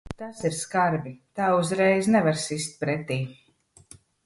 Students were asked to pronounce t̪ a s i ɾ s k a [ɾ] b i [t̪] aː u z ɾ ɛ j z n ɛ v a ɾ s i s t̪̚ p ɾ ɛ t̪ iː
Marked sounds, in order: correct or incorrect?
correct, correct

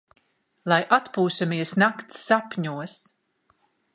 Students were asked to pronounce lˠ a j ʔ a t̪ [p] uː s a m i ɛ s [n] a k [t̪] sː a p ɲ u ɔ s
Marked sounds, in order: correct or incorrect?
correct, correct, correct

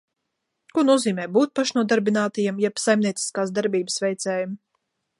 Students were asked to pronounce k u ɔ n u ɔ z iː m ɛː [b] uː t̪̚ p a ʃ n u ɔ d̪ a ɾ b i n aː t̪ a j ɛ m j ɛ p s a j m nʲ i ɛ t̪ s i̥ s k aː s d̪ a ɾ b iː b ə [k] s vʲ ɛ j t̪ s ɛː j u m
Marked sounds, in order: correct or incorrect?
correct, incorrect: none

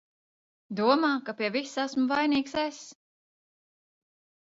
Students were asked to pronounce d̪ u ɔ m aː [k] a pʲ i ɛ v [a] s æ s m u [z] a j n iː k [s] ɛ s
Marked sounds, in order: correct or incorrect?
correct, incorrect: i, incorrect: v, correct

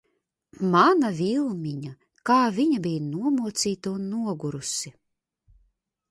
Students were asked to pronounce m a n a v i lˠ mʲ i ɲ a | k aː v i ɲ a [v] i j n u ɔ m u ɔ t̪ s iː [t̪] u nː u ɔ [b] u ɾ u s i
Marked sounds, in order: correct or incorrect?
incorrect: b, correct, incorrect: ɡ

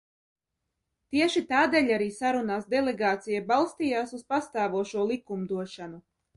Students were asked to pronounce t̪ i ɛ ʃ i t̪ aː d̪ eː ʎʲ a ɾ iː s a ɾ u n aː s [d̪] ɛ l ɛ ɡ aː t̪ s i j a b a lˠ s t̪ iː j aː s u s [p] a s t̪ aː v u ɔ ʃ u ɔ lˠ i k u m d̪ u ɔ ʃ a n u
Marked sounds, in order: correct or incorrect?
correct, correct

